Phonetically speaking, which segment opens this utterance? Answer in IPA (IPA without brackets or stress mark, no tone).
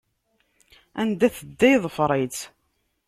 æ